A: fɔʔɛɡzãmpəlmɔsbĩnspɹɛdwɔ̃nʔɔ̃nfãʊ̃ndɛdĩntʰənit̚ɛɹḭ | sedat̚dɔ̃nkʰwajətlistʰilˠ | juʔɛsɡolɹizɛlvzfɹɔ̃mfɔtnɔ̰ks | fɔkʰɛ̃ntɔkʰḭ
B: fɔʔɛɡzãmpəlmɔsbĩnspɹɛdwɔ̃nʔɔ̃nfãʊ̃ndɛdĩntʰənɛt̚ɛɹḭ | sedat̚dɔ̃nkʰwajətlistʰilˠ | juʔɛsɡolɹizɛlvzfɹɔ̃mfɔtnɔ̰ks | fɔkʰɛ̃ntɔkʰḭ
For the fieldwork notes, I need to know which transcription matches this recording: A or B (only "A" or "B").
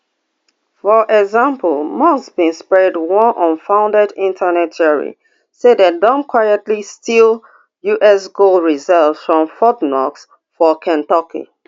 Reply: B